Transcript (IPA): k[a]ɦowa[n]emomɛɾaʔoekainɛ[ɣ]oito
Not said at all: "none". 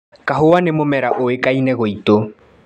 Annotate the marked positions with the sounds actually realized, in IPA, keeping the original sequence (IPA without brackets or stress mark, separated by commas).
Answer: a, n, ɣ